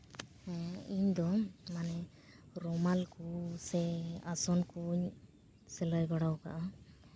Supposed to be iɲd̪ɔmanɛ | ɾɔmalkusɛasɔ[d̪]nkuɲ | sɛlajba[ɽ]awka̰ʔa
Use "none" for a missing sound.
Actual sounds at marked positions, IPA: none, ɽ

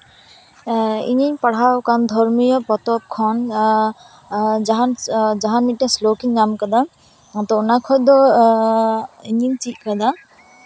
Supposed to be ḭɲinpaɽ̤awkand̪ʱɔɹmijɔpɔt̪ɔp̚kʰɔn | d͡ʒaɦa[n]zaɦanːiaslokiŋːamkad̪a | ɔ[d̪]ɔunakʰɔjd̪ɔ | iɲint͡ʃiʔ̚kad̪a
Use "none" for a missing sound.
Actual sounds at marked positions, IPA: n, t̪

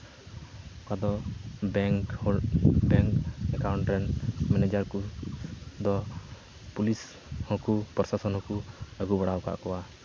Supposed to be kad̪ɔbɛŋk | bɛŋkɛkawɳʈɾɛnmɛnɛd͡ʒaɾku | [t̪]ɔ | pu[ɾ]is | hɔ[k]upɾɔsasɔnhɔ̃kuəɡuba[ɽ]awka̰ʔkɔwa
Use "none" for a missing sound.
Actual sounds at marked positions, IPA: d̪, l, k, ɽ

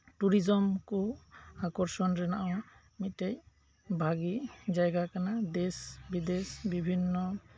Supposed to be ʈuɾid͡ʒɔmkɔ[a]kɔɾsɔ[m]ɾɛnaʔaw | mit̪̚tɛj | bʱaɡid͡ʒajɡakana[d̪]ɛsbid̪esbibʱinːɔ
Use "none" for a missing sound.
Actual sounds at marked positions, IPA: a, n, d̪

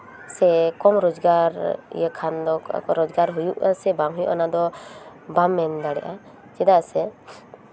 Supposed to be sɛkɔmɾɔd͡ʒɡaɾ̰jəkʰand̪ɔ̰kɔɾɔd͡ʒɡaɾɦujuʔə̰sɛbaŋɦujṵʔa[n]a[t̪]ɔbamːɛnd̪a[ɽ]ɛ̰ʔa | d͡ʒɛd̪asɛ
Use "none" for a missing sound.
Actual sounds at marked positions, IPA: n, d̪, ɽ

